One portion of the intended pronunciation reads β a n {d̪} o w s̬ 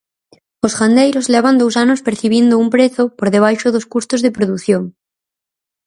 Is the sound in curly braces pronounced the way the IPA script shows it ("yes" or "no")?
yes